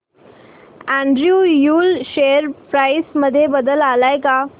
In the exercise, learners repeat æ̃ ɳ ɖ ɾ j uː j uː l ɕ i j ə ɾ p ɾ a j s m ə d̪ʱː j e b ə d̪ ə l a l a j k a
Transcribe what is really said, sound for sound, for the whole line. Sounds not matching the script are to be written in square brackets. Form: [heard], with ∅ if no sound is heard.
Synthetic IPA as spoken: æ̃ ɳ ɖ ɾ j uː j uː l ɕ [e] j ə ɾ p ɾ a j s m ə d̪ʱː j e b ə d̪ ə l a l a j k a